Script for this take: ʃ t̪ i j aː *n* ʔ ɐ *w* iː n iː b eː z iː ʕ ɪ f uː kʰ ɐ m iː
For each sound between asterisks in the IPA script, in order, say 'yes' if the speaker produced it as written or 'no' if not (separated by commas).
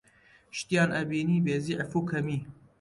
yes, no